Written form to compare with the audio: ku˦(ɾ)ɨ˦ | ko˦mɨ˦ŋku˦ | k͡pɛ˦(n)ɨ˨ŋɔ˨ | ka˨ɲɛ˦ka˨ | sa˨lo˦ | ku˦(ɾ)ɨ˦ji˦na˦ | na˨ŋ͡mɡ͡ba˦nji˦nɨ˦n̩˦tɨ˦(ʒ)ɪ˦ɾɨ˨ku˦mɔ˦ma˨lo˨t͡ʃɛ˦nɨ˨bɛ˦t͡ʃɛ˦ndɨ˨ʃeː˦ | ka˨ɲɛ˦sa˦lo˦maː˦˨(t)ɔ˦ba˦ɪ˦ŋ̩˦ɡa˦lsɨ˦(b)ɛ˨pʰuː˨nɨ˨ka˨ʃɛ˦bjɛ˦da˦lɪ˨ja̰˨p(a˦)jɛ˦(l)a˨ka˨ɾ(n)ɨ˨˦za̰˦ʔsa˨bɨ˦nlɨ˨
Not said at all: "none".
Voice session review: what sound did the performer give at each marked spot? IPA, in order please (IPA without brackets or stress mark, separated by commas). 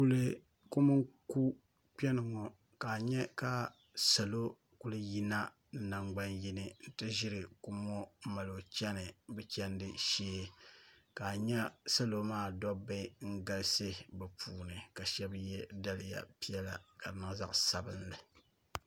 l, n, l, ʒ, d, b, i˦, l, n